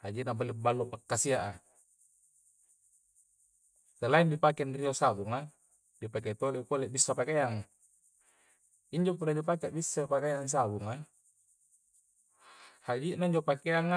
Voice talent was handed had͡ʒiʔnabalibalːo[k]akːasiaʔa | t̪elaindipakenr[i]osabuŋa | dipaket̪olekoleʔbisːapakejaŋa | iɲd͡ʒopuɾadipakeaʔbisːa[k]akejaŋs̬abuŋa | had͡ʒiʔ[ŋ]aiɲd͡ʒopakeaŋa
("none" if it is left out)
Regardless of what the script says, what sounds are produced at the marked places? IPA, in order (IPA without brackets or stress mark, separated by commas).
p, i, p, n